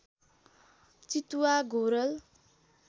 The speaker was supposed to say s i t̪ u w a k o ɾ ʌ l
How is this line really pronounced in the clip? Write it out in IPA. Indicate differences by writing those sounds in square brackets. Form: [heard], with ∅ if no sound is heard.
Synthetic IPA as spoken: [t͡s] i t̪ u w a [ɡ] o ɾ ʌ l